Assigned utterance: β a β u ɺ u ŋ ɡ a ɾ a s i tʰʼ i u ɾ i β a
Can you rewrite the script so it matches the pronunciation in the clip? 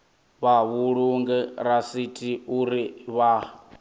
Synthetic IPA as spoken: β a β u ɺ u ŋ ɡ ɛ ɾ a s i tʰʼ i u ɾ i β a